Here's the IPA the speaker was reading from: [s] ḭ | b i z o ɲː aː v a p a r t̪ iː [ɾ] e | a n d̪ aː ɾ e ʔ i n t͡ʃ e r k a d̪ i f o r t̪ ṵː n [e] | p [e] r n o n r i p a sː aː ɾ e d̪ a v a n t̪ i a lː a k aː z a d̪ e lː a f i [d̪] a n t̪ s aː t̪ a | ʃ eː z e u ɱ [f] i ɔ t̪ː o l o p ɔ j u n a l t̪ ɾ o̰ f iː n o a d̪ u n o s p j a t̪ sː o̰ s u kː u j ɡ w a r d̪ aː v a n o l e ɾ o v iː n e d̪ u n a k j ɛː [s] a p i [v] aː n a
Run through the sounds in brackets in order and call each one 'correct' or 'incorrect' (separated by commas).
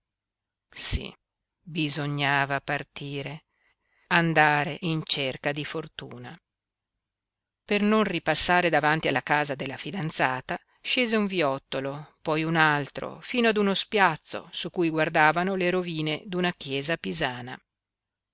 correct, correct, incorrect, correct, correct, incorrect, incorrect, incorrect